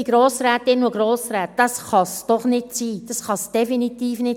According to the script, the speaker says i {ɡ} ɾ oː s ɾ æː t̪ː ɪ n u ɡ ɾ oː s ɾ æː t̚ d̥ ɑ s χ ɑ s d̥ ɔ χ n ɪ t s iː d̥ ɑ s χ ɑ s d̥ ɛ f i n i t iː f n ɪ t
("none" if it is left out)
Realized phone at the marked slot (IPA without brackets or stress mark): ɡ